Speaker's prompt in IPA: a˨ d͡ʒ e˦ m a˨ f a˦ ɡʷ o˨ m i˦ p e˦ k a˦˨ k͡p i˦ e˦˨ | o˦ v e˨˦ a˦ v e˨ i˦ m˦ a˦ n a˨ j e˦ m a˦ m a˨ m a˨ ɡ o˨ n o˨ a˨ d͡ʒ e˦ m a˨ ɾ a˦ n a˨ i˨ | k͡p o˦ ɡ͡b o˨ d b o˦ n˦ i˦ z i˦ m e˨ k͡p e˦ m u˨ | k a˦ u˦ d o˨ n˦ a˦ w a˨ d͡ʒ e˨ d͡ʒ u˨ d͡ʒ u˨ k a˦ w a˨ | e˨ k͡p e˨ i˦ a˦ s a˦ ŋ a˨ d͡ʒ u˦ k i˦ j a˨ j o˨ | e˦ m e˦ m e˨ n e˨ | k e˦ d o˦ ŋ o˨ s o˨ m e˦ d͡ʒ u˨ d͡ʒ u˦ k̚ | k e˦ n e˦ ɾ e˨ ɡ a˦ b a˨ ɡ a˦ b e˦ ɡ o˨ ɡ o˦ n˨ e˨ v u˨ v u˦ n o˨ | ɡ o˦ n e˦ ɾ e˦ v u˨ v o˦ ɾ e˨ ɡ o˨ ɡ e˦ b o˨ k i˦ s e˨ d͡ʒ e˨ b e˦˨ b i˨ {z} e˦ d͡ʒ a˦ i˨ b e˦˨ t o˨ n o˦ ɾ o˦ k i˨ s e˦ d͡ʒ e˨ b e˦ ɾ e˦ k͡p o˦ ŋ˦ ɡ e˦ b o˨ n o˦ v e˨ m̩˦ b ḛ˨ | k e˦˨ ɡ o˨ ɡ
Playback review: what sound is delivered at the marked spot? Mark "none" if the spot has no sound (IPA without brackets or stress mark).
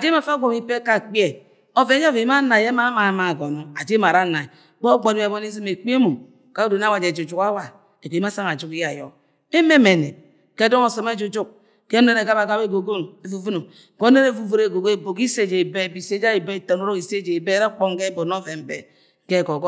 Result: s